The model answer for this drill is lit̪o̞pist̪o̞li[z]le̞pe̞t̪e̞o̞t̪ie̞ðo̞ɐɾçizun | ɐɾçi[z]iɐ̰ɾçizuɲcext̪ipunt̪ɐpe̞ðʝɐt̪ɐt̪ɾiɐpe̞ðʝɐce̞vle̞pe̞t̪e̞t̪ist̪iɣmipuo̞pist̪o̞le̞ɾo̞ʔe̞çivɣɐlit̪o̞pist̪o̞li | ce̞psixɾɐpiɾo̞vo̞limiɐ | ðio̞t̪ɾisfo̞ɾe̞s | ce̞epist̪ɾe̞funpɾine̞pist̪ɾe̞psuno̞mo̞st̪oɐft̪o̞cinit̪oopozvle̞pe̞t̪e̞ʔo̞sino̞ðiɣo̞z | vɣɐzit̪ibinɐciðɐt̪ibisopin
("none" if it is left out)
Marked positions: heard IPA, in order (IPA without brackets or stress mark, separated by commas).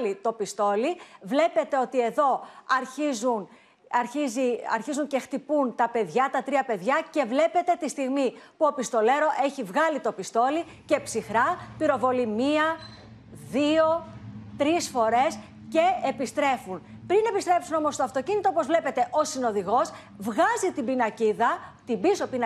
v, z